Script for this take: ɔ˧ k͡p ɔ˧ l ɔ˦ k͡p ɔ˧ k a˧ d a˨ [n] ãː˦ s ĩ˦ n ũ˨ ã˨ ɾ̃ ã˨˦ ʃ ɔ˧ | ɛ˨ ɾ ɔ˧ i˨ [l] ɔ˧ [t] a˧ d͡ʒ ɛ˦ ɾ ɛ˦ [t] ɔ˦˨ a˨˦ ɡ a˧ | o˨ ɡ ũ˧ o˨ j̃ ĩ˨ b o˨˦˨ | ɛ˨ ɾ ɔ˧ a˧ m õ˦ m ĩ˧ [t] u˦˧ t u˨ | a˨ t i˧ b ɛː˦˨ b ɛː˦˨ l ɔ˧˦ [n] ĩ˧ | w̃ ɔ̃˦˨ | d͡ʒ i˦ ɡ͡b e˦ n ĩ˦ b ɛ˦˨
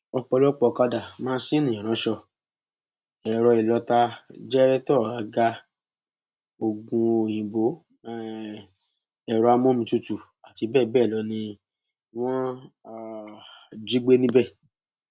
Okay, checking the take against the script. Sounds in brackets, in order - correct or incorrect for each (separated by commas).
incorrect, correct, correct, correct, correct, correct